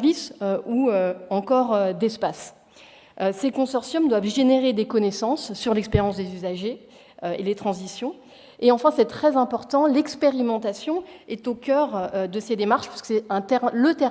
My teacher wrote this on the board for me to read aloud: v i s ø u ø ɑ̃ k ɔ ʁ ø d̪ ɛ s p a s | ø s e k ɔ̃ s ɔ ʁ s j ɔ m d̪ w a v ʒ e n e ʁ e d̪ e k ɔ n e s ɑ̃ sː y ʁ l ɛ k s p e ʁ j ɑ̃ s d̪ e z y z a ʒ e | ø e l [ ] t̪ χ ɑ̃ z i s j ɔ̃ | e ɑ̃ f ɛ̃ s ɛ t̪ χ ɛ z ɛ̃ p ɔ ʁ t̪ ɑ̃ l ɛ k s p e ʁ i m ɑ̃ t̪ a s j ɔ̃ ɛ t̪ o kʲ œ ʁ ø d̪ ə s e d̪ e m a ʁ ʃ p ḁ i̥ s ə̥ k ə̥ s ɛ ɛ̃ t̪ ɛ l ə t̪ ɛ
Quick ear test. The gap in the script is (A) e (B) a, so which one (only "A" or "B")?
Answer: A